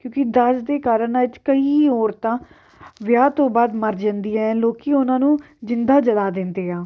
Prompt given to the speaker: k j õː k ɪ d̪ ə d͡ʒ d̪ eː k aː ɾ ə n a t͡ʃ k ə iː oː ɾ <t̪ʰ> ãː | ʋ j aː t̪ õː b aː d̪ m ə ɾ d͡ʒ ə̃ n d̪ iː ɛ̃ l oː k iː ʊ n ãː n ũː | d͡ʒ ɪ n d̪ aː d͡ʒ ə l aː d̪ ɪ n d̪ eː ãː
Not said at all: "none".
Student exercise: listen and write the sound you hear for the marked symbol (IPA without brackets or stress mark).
t̪